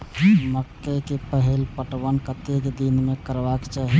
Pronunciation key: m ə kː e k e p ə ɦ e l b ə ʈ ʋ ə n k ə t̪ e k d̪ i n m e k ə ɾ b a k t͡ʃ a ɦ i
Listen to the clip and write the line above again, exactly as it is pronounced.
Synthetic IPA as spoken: m ə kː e k e p ə ɦ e l p ə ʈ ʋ ə n k ə t̪ e k d̪ i n m e k ə ɾ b a k t͡ʃ a ɦ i